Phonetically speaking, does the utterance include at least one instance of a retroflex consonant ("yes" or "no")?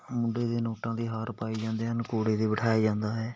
yes